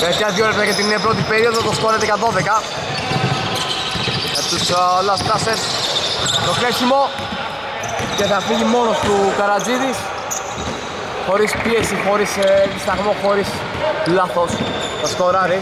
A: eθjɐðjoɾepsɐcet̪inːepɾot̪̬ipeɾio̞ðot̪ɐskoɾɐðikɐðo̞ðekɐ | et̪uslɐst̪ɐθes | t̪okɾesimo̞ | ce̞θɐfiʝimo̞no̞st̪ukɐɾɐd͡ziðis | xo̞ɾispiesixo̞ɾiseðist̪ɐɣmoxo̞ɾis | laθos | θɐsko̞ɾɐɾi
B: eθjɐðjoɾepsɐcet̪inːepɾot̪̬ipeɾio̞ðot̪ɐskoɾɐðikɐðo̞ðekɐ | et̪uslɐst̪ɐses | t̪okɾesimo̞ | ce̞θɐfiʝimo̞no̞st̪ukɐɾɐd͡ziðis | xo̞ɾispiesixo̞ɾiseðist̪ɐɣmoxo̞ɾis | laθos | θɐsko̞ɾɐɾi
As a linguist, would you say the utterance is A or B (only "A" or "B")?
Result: B